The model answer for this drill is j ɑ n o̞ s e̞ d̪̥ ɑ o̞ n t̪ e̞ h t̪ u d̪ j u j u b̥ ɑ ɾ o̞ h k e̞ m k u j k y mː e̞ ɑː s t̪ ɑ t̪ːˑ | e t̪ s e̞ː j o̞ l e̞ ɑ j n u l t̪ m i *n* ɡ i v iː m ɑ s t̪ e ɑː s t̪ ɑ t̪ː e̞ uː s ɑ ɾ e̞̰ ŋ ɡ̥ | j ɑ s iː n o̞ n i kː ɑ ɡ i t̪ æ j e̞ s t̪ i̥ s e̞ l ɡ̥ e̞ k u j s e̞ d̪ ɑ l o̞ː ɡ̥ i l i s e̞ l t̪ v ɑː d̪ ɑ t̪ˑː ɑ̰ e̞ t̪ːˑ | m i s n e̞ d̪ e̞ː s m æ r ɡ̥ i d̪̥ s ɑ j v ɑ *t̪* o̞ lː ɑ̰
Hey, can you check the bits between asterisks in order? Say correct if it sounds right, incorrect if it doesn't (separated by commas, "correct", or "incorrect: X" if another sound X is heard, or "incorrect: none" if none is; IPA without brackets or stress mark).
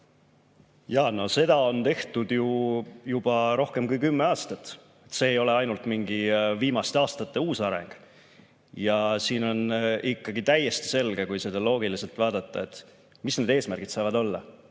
incorrect: ŋ, incorrect: d̪